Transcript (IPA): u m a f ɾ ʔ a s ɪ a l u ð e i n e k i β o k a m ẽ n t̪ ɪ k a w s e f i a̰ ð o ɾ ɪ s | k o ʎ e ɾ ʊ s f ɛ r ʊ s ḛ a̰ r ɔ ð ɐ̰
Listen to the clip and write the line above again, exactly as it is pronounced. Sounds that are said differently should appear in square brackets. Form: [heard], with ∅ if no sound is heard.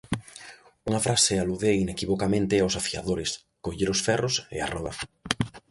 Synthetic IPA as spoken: u [ŋ] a f ɾ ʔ a s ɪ a l u ð e i n e k i β o k a m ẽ n t̪ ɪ [∅] a w s [a] f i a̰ ð o ɾ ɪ s | k o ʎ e ɾ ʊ s f ɛ r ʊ s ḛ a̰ r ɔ ð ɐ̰